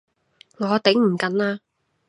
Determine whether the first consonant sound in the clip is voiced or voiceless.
voiced